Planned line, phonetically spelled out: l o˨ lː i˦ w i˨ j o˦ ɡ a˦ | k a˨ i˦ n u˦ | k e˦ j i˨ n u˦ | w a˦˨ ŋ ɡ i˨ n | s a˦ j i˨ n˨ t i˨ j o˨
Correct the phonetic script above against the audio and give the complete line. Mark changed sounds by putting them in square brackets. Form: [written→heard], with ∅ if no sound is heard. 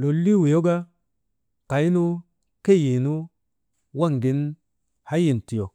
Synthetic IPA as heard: l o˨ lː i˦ w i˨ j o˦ ɡ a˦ | k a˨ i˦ n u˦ | k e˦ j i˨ n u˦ | w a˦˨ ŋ ɡ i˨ n | [s→h] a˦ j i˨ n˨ t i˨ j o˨